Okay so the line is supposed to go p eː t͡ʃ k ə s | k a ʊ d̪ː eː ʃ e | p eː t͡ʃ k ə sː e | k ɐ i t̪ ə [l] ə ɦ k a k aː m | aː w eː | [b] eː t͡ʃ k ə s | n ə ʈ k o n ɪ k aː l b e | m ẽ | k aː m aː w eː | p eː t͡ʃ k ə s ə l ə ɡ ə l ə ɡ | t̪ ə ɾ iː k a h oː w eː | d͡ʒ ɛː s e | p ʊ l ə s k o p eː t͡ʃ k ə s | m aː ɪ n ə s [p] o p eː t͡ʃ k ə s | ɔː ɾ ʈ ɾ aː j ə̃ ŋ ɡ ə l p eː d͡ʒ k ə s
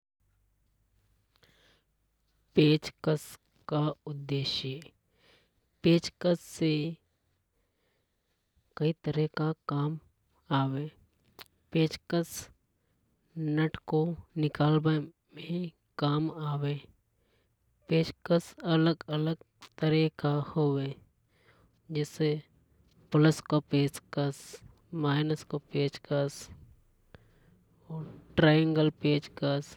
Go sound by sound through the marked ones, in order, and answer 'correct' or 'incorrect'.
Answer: incorrect: ɾ, incorrect: p, incorrect: k

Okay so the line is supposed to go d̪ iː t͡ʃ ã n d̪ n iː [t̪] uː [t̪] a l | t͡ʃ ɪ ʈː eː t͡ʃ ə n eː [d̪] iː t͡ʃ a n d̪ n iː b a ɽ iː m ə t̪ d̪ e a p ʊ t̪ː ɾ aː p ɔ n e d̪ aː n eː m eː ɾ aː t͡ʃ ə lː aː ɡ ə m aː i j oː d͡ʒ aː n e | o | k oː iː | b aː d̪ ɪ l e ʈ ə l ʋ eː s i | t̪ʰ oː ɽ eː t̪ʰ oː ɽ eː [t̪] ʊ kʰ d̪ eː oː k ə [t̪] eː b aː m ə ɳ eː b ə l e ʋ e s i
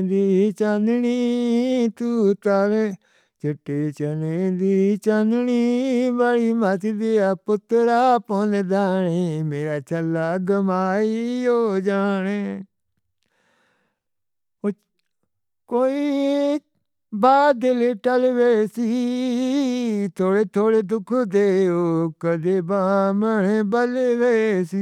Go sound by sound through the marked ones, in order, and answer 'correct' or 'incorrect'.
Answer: correct, correct, correct, incorrect: d̪, incorrect: d̪

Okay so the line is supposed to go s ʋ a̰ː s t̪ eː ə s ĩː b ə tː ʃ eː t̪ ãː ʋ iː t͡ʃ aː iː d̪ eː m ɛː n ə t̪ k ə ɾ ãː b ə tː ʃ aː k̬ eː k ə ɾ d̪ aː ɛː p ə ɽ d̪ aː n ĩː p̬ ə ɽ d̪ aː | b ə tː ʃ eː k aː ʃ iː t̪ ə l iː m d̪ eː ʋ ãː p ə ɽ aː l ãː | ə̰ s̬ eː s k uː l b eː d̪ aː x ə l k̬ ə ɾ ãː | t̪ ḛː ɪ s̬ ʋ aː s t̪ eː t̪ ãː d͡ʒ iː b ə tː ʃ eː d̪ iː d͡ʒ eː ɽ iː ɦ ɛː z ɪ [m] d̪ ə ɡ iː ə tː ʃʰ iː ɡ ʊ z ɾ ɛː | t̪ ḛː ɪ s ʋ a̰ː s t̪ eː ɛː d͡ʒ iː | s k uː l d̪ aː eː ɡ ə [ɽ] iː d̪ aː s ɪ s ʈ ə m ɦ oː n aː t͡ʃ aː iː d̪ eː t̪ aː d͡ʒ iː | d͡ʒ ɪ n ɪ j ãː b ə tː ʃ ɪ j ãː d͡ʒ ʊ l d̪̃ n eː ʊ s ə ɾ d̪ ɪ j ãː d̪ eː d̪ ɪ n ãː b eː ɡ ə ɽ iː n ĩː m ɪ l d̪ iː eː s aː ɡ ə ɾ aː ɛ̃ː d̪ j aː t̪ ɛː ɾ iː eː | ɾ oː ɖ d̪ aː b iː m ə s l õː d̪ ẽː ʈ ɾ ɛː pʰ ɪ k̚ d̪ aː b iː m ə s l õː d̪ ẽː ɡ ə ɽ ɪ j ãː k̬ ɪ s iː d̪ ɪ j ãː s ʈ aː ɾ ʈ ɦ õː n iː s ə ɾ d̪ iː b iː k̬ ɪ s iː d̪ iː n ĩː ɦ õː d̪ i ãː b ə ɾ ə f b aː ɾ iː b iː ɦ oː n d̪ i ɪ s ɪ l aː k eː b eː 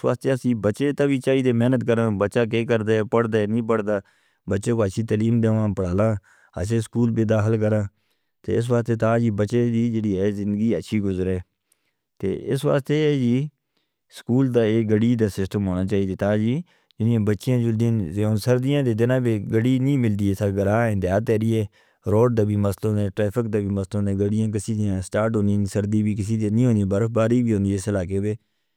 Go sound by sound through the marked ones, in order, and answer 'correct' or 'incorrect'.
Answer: incorrect: n, correct

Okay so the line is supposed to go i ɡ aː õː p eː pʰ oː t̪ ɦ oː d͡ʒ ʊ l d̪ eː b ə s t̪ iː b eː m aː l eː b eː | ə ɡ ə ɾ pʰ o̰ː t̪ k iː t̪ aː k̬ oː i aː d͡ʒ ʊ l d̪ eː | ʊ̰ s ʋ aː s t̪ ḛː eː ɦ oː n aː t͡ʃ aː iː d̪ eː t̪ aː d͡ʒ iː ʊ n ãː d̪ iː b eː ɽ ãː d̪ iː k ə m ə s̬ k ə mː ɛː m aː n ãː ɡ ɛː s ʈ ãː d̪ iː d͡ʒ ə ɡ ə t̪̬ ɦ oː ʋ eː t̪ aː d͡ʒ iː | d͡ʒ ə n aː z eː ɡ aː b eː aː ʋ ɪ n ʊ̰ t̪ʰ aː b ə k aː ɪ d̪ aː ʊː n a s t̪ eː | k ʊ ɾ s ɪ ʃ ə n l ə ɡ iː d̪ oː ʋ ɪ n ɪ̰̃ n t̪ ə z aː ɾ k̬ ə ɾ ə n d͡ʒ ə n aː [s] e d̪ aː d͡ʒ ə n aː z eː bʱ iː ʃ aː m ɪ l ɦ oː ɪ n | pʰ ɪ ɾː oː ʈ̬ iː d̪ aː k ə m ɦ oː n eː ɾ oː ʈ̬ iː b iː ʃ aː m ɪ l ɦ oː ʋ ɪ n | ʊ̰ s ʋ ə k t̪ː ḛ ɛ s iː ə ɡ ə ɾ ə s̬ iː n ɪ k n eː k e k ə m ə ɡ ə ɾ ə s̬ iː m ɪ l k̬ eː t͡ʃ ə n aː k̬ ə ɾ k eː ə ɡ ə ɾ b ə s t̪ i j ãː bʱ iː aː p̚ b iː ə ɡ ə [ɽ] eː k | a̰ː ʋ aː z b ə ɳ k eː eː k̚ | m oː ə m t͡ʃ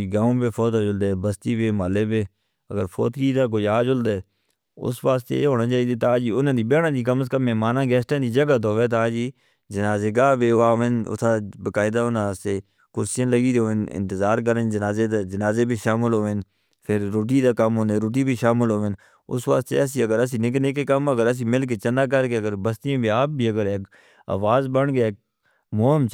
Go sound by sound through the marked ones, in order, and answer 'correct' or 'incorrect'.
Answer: incorrect: z, incorrect: ɾ

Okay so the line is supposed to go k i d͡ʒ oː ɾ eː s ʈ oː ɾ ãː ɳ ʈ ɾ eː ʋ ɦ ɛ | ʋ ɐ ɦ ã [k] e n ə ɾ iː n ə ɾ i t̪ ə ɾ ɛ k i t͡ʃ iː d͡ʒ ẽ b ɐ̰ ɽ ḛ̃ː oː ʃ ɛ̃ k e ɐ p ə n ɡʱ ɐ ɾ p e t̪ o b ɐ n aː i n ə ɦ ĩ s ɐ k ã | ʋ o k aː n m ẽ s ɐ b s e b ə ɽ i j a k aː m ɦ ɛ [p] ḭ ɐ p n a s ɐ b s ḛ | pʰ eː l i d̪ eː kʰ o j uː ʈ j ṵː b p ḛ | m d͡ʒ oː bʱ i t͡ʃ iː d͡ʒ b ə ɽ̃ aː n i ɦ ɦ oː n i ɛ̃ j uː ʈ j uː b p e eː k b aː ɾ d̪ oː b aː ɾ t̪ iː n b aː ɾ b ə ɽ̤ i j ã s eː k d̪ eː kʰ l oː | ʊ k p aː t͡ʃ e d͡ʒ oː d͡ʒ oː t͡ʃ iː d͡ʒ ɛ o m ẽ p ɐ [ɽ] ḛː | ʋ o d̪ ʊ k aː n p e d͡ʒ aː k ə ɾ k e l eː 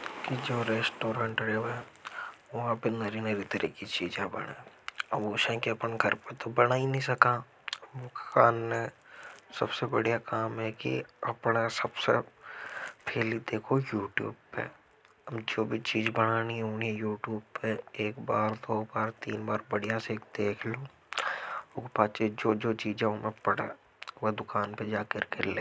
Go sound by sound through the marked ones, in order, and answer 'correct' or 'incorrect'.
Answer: incorrect: p, incorrect: k, correct

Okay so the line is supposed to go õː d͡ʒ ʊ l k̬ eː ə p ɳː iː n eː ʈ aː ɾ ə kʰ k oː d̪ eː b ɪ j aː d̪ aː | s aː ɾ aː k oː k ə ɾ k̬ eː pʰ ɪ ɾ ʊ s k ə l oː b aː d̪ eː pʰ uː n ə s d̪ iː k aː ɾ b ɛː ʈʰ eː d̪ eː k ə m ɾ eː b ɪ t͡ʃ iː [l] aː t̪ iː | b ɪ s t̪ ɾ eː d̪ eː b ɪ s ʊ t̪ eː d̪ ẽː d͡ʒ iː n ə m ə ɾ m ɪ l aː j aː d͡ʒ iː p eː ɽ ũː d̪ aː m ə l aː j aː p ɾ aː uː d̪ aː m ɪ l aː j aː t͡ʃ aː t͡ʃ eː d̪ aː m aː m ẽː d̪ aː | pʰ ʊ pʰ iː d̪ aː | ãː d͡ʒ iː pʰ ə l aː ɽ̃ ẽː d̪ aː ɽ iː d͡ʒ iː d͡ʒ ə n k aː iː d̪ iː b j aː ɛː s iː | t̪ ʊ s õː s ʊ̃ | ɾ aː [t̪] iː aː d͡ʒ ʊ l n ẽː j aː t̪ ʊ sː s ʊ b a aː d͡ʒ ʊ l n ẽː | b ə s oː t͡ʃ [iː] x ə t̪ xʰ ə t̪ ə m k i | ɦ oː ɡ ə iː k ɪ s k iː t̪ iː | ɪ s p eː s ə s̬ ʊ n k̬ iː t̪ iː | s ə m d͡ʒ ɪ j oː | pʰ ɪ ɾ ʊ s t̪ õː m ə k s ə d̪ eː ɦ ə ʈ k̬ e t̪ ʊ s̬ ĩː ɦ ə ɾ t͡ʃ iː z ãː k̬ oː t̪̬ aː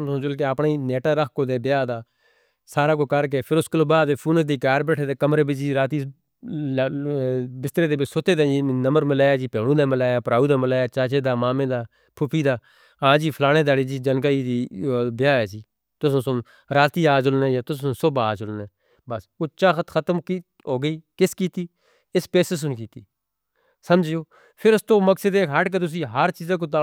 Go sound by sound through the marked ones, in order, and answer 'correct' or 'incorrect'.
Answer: incorrect: ɾ, correct, incorrect: aː

